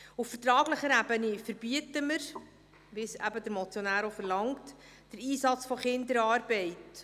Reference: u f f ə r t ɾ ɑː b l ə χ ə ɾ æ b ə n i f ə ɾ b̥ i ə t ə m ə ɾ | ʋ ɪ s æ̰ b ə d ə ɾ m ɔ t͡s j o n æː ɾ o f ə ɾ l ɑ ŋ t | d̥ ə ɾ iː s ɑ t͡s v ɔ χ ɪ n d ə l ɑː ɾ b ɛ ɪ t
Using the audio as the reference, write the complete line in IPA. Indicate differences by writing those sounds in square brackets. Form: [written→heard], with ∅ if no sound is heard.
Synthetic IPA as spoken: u f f ə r t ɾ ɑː [b→ɡ] l ə χ ə ɾ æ b ə n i f ə ɾ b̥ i ə t ə m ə ɾ | ʋ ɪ s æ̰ b ə d ə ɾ m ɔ t͡s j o n æː ɾ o f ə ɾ l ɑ ŋ t | d̥ ə ɾ iː s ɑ t͡s [v→f] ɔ χ ɪ n d ə [l→ɾ] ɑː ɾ b ɛ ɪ t